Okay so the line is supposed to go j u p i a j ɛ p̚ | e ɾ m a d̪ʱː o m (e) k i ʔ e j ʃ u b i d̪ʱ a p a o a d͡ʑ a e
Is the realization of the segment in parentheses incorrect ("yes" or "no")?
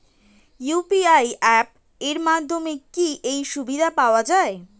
no